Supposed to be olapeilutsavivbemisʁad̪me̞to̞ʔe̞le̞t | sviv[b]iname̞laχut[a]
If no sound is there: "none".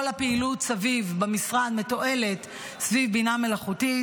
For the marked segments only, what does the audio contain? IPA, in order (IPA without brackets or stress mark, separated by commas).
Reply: b, i